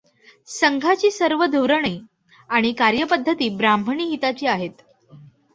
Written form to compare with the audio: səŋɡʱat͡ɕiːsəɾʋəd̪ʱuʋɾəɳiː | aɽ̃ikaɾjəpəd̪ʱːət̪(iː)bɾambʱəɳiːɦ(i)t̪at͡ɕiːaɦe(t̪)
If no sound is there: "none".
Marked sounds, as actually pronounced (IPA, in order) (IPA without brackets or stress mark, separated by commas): iː, i, t̪